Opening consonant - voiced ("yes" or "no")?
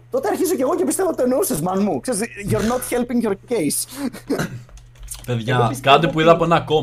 no